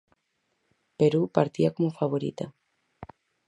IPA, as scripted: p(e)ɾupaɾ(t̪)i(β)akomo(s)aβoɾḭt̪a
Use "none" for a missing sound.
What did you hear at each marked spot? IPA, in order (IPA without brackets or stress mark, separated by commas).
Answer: e, t̪, none, f